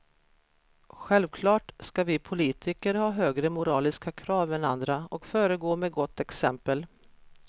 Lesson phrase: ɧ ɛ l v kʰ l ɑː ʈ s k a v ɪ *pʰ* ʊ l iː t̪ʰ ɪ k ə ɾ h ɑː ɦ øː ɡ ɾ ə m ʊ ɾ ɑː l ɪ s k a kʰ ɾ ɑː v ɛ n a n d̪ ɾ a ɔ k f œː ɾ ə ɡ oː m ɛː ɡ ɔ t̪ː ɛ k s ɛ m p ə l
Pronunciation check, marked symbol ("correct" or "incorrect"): correct